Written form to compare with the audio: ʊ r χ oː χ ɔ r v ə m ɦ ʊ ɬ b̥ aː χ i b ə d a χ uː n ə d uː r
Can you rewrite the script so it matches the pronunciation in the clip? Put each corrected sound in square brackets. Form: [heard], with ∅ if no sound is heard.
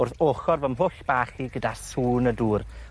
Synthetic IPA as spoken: ʊ r [θ] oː χ ɔ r v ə m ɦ ʊ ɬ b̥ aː χ i [ɡ] ə d a [s] uː n ə d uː r